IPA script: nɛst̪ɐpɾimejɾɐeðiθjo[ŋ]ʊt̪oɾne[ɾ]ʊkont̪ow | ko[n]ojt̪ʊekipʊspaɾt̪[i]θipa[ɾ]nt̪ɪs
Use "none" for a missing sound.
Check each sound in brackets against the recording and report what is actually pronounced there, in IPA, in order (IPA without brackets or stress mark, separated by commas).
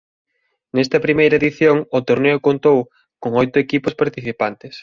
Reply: ŋ, none, ŋ, i, none